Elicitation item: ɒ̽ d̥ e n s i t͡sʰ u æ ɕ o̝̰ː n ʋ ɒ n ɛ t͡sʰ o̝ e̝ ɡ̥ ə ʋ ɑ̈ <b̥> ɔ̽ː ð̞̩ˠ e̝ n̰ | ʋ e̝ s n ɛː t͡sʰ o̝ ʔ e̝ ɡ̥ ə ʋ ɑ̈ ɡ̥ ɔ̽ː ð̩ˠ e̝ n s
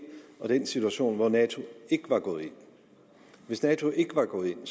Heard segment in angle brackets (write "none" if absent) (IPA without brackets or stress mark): ɡ̥